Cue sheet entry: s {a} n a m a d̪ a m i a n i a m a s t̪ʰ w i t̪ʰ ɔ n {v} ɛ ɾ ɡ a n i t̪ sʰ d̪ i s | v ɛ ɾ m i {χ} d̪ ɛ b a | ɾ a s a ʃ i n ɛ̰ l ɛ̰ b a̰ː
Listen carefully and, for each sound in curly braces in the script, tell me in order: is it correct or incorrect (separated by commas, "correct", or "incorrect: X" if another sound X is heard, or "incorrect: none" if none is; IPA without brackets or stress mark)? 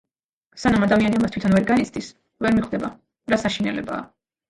correct, correct, correct